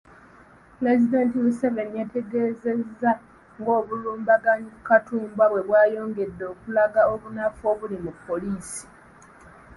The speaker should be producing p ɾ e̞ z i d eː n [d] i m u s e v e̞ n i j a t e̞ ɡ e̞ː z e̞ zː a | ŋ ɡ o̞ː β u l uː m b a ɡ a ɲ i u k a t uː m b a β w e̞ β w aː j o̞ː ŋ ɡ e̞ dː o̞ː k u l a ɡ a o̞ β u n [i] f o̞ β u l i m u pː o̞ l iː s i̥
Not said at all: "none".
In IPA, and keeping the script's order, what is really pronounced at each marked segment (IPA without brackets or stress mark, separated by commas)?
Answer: t, a